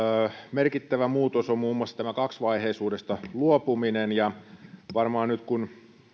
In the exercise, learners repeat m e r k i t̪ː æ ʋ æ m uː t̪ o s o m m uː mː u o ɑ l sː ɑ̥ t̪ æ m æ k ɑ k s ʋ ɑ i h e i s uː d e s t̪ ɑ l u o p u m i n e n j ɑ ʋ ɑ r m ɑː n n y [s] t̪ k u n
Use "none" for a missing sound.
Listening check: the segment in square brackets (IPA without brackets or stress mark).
none